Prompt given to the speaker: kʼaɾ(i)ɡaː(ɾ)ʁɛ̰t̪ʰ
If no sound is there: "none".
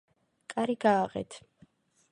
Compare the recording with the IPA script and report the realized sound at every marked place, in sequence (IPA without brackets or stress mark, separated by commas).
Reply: i, none